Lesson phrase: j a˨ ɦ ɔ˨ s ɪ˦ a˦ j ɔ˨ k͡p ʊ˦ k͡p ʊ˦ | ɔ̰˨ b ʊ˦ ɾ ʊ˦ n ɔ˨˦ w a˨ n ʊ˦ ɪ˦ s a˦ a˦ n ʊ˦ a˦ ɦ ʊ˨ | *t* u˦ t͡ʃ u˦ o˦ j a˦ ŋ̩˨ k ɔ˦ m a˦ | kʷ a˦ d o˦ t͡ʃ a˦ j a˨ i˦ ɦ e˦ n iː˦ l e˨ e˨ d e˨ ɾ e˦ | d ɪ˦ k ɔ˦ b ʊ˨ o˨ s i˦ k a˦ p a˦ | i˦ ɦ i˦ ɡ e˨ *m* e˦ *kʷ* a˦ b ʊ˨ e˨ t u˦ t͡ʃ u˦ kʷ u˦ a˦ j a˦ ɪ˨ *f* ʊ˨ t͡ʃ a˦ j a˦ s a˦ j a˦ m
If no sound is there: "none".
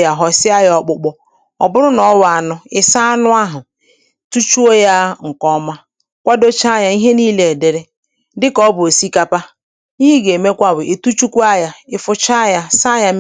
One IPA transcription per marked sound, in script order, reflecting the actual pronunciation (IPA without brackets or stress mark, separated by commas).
t, m, kʷ, f